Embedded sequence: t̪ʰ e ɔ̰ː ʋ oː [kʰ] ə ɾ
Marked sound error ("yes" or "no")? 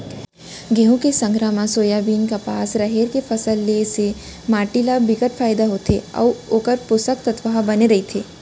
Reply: yes